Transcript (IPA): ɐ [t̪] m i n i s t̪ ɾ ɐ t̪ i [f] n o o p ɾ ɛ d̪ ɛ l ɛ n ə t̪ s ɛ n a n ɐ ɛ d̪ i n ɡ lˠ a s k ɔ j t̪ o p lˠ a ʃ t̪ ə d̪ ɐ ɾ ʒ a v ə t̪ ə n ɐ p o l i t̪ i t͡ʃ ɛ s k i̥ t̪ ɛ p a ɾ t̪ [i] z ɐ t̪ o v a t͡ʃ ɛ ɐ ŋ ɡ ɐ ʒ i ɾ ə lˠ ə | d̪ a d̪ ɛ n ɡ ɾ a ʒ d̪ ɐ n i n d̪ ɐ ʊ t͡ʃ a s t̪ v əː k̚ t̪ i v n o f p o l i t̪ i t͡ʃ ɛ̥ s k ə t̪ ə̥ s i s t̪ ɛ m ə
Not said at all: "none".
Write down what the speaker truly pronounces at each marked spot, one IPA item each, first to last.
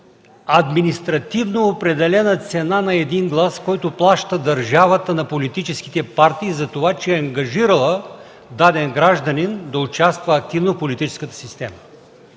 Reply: d̪, v, iː

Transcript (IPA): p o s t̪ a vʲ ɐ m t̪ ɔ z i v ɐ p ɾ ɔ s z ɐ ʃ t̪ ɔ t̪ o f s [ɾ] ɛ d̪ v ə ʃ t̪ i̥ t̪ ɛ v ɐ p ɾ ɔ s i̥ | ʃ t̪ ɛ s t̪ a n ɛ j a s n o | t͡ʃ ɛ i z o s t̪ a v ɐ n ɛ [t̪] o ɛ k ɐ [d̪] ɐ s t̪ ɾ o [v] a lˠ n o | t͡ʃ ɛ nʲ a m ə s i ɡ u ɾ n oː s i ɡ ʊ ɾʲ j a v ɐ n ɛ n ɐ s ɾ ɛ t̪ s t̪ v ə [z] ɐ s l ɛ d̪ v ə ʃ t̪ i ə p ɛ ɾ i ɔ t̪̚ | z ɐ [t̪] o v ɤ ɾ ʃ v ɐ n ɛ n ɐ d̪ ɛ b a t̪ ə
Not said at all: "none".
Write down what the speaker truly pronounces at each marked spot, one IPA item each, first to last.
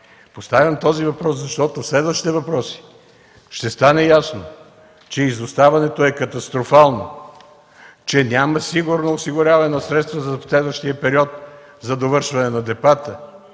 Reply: l, t̪, t̪, f, z, d̪

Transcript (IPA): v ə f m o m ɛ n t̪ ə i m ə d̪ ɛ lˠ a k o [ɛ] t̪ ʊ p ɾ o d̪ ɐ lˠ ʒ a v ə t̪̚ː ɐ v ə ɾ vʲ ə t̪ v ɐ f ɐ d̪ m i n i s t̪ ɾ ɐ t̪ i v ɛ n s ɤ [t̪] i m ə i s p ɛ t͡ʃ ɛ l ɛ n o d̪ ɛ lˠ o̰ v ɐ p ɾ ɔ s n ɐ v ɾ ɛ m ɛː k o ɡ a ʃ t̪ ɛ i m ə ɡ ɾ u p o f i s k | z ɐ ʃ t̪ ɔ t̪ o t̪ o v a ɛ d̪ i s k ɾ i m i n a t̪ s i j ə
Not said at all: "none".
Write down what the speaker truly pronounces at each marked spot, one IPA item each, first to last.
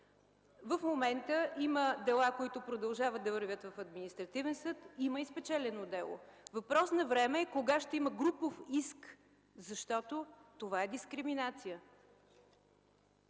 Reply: i, t̪

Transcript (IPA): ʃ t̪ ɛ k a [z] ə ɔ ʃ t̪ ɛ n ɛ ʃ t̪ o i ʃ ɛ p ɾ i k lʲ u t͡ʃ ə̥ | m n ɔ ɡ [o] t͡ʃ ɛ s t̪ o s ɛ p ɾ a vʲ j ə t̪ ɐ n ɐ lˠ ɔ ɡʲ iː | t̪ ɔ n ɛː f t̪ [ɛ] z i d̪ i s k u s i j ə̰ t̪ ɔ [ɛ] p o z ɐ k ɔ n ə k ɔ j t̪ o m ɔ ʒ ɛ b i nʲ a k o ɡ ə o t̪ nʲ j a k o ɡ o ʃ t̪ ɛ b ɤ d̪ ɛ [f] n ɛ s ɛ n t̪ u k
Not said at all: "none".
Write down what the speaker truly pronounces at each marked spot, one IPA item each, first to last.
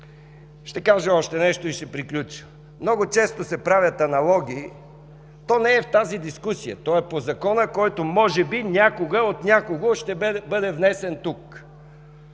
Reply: ʒ, o, a, ɛ, v

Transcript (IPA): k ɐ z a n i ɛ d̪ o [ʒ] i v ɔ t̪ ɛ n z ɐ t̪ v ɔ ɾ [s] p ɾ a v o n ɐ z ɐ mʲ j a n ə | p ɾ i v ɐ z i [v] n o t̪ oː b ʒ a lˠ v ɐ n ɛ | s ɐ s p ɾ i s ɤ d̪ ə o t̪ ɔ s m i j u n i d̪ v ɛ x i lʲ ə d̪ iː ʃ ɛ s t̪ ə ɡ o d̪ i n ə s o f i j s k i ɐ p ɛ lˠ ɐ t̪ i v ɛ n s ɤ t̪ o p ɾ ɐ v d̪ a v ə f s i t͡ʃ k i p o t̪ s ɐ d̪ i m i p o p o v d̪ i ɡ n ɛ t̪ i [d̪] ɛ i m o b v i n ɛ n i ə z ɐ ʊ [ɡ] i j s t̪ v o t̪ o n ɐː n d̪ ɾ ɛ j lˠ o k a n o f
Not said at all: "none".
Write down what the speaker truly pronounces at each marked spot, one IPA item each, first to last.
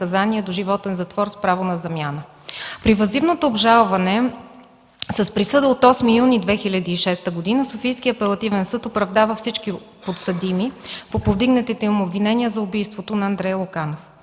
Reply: ʒ, s, v, t̪, b

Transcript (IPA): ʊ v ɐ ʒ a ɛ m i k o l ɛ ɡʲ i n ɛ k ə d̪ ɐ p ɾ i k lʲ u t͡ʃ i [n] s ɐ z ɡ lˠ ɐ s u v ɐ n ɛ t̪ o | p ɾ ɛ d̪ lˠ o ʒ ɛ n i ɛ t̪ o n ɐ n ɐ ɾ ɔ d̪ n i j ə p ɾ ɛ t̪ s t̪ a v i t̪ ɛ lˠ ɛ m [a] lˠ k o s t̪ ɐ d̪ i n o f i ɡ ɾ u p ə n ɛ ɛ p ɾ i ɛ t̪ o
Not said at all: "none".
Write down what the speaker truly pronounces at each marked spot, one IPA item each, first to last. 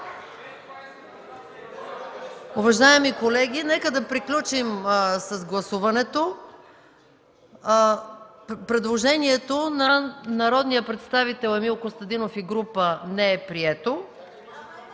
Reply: m, i

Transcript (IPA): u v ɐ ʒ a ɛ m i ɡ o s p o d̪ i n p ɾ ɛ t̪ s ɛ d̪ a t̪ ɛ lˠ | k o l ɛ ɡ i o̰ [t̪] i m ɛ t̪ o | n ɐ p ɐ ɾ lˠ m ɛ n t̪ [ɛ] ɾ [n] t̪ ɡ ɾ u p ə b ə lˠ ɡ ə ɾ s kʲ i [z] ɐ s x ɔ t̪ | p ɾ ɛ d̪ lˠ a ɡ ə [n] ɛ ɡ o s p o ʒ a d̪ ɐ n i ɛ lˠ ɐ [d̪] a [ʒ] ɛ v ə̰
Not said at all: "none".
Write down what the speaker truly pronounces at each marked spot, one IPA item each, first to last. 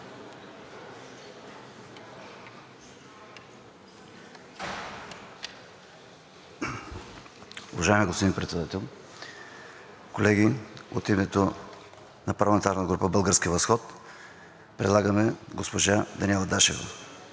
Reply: t̪, a, n, v, m, d̪, ʃ

